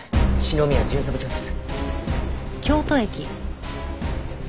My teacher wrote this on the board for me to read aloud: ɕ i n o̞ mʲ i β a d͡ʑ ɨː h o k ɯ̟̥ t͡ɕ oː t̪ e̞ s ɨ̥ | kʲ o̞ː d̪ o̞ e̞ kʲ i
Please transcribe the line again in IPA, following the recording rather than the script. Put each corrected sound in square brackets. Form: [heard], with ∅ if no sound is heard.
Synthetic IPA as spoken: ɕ i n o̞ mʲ i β a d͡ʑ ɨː [s] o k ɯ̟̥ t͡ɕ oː [d̪] e̞ s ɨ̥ | kʲ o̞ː [t̪] o̞ e̞ kʲ i